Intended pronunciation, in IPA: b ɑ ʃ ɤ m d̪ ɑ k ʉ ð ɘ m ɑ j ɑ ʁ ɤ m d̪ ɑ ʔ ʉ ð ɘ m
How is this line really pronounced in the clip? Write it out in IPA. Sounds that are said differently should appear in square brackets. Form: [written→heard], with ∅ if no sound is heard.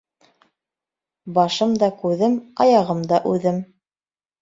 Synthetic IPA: b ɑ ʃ ɤ m d̪ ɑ k ʉ ð ɘ m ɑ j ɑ ʁ ɤ m d̪ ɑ ʔ ʉ ð ɘ m

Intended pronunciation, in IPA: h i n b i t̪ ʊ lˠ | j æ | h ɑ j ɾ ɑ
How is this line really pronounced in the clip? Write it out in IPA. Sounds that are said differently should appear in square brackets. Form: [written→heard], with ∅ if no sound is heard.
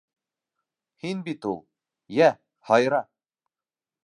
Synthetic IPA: h i n b i t̪ [ʊ→u] lˠ | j æ | h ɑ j ɾ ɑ

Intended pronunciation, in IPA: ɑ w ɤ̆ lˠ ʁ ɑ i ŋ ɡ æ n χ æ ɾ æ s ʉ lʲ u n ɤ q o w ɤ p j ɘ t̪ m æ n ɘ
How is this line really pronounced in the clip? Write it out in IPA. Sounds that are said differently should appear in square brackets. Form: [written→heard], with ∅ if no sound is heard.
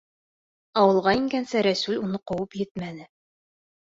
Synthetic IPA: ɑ w ɤ̆ lˠ ʁ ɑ i ŋ ɡ æ n [χ→s] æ ɾ æ s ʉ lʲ u n ɤ q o w ɤ p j ɘ t̪ m æ n ɘ

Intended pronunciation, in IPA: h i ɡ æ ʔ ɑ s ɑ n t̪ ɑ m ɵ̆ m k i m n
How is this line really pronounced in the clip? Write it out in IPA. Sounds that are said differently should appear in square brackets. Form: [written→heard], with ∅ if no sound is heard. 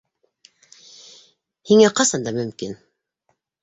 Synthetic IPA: h i [ɡ→ŋ] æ [ʔ→q] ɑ s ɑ n [t̪→d̪] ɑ m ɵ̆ m k i [m→∅] n

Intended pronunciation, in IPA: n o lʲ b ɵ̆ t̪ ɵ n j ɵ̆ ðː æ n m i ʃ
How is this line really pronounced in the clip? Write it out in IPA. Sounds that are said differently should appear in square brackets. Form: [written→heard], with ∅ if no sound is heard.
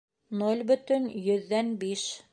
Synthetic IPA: n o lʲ b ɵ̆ t̪ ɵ n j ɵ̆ ðː æ n [m→b] i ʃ

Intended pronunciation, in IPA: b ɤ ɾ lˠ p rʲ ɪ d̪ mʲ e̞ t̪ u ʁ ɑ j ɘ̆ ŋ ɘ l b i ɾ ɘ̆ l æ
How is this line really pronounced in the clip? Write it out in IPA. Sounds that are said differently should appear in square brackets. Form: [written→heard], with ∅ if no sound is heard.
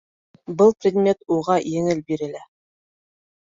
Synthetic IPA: b ɤ [ɾ→∅] lˠ p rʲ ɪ d̪ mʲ e̞ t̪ u ʁ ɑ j ɘ̆ ŋ ɘ l b i ɾ ɘ̆ l æ

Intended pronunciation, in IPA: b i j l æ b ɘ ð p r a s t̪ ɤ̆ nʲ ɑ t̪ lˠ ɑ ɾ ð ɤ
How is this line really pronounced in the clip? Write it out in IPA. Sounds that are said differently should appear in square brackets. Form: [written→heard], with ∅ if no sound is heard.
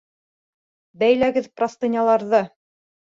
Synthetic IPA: b [i→æ] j l æ [b→ɡ] ɘ ð p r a s t̪ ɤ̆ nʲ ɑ [t̪→∅] lˠ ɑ ɾ ð ɤ

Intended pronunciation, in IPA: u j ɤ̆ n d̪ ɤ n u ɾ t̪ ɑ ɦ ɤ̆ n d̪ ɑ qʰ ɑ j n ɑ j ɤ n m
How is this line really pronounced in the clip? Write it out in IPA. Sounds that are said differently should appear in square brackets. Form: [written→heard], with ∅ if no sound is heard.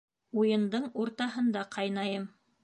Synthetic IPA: u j ɤ̆ n d̪ ɤ [n→ɴ] u ɾ t̪ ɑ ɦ ɤ̆ n d̪ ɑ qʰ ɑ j n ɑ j ɤ [n→∅] m

